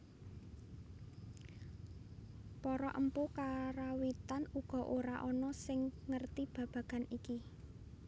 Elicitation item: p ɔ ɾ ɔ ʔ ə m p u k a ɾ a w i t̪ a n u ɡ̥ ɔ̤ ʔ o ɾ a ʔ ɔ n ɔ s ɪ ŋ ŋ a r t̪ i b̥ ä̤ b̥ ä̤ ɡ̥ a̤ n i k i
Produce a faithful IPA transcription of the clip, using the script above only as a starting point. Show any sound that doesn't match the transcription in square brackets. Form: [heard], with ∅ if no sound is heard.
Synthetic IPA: p ɔ ɾ ɔ ʔ ə m p u k a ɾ a w i t̪ a n u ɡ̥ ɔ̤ ʔ o ɾ a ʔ ɔ n ɔ s ɪ ŋ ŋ [ə] r t̪ i b̥ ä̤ b̥ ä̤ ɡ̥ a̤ n i k i

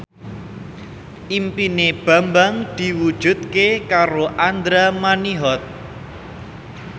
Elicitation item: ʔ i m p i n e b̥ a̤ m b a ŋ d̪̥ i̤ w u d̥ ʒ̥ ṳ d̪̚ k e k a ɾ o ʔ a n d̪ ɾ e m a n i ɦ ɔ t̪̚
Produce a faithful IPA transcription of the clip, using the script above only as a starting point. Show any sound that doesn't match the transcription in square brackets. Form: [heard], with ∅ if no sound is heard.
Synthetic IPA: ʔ i m p i n e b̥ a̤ m b a ŋ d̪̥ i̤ w u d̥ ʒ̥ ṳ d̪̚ k e k a ɾ o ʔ a n d̪ ɾ [a] m a n i ɦ ɔ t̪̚

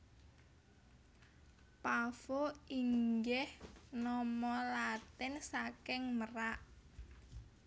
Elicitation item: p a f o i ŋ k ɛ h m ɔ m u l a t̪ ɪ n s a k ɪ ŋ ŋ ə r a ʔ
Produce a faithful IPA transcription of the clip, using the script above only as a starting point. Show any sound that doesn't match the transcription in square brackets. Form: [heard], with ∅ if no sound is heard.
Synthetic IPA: p a f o i ŋ [ɡ] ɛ h [n] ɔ m [ɔ] l a t̪ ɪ n s a k ɪ ŋ [m] ə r a ʔ

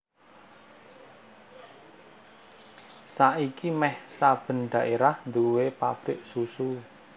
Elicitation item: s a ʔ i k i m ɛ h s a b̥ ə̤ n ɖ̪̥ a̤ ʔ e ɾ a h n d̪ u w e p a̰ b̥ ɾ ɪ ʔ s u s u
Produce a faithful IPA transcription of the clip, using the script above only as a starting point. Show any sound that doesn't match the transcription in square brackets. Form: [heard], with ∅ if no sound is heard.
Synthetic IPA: s a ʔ i k i m ɛ h s a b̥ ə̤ n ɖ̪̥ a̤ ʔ e ɾ a h n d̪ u w e p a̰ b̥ ɾ ɪ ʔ s u s u

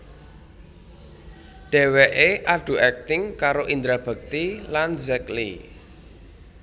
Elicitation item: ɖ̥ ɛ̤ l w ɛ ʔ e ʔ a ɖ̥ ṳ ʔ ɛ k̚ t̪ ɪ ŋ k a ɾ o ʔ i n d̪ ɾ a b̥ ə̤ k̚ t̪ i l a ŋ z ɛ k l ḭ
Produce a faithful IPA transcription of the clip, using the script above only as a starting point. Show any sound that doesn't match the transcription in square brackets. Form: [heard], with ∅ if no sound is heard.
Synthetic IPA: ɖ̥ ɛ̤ [∅] w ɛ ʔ e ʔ a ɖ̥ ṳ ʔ ɛ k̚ t̪ ɪ ŋ k a ɾ o ʔ i n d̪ ɾ a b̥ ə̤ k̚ t̪ i l a [n] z ɛ k l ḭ

